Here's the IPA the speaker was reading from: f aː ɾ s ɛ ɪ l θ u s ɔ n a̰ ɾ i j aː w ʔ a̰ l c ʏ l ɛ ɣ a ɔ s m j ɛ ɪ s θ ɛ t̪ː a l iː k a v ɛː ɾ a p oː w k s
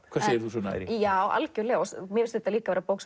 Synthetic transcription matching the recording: v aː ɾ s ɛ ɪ ɾ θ u s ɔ n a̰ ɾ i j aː w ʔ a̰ l c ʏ l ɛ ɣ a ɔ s m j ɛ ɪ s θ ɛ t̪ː a l iː k a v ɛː ɾ a p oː w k s